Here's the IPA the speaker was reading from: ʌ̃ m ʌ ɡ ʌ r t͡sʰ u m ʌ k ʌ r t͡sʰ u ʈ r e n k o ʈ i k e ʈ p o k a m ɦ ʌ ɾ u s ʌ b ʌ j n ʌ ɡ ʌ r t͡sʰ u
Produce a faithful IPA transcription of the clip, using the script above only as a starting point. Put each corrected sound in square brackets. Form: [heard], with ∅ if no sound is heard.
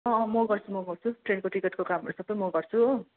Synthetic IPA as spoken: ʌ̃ m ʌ ɡ ʌ r t͡sʰ u m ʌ [ɡ] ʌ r t͡sʰ u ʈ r e n k o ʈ i k e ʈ [k] o k a m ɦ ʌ ɾ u s ʌ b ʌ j [m] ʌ ɡ ʌ r t͡sʰ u